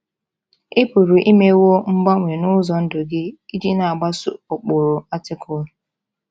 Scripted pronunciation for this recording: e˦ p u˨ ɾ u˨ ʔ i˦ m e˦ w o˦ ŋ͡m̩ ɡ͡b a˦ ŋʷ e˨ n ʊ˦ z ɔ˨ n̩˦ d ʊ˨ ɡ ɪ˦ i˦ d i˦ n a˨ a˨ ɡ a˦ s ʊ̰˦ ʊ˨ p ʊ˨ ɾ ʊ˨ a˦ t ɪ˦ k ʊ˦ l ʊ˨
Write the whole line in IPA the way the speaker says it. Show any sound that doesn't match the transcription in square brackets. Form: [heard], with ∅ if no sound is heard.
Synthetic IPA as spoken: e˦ p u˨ ɾ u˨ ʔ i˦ m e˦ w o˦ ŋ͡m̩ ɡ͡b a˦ ŋʷ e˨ n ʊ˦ z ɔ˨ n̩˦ d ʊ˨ ɡ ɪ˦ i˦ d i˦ n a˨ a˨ [ɡ͡b] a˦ s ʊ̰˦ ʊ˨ [k͡p] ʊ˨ ɾ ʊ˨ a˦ t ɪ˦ k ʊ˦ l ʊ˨